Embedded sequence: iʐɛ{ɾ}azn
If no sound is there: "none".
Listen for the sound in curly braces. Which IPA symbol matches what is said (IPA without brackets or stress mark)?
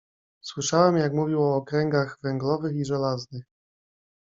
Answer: l